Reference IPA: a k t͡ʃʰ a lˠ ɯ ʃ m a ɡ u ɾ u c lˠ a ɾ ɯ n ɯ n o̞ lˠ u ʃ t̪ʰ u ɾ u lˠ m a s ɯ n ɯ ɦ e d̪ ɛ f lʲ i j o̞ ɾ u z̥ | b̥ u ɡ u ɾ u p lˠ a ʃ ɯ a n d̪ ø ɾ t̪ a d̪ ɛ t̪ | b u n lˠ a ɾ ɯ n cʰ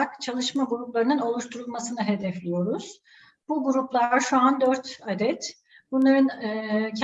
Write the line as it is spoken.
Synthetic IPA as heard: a k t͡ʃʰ a lˠ ɯ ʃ m a ɡ u ɾ u p lˠ a ɾ ɯ n ɯ n o̞ lˠ u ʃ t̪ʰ u ɾ u lˠ m a s ɯ n ɯ ɦ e d̪ ɛ f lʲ i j o̞ ɾ u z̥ | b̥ u ɡ u ɾ u p lˠ a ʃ u a n d̪ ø ɾ t̪ a d̪ ɛ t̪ | b u n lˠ a ɾ ɯ n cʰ